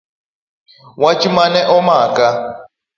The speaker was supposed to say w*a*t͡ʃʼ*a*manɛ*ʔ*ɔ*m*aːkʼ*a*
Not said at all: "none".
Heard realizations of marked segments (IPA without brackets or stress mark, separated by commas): a, i, ʔ, m, a